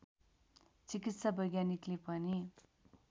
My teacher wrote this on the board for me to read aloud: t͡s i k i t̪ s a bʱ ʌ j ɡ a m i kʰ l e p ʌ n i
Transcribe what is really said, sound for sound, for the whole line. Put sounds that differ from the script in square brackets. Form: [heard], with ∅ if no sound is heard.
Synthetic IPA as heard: t͡s i k i t̪ s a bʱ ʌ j ɡ a [n] i [k] l e p ʌ n i